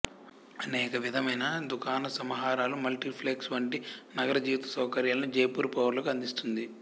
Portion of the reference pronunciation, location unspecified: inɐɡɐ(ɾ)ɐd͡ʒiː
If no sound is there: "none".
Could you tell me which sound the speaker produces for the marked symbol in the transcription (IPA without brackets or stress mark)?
ɾ